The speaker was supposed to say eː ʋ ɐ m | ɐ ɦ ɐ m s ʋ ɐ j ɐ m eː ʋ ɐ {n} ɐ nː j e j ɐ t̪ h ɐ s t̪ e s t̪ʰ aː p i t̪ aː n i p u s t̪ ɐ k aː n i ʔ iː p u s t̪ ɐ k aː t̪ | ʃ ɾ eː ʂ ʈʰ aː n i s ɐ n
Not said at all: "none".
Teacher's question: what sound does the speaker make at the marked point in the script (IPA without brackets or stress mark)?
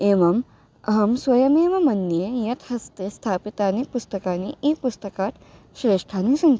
m